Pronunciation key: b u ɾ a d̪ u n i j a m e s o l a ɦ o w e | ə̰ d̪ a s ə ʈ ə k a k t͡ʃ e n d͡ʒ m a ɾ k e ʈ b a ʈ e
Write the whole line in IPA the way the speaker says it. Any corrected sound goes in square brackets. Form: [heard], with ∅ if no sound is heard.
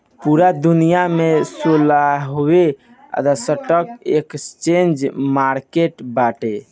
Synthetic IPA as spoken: [p] u ɾ a d̪ u n i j a m e s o l a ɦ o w e | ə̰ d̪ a s ə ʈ ə k [e] k t͡ʃ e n d͡ʒ m a ɾ k e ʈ b a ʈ e